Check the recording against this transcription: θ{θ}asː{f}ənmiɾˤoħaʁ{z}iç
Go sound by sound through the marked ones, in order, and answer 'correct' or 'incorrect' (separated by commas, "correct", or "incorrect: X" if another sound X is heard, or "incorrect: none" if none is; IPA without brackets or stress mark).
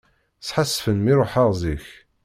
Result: incorrect: ħ, correct, correct